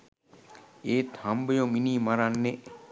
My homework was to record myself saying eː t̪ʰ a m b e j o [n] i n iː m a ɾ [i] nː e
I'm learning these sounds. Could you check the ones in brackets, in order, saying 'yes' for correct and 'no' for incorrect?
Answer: no, no

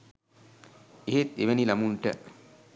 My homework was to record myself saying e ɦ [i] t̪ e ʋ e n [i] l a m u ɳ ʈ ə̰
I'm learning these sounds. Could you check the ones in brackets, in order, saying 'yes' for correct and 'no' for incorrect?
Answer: no, yes

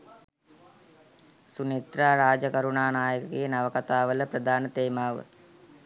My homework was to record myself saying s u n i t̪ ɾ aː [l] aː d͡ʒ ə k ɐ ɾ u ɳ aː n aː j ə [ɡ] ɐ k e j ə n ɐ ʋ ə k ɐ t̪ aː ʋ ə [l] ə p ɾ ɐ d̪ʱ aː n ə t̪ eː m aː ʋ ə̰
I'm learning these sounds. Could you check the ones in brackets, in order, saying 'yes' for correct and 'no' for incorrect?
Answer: no, no, yes

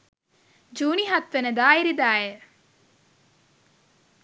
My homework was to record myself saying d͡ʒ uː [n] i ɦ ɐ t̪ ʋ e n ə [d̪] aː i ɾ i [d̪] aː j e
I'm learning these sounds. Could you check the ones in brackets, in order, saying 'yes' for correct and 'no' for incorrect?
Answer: yes, yes, yes

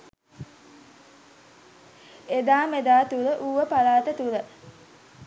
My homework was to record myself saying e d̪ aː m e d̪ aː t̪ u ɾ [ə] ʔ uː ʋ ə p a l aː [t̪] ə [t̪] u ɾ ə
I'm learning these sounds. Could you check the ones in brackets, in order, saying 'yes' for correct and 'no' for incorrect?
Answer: yes, yes, yes

